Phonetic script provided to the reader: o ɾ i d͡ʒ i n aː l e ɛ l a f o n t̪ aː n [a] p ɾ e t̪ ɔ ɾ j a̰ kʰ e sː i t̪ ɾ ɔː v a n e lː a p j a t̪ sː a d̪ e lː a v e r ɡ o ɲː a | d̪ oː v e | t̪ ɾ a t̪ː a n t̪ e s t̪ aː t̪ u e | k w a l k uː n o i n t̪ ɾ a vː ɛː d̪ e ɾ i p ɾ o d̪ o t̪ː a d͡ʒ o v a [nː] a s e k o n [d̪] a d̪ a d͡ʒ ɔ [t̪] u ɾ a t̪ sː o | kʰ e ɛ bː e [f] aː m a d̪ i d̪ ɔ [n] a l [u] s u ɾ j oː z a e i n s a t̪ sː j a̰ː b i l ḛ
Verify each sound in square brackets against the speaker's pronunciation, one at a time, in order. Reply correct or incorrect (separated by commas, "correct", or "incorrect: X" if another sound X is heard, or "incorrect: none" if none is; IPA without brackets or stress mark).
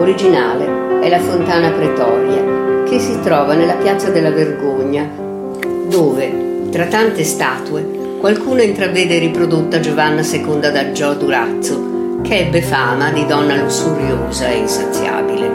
correct, correct, correct, incorrect: d̪, correct, incorrect: nː, correct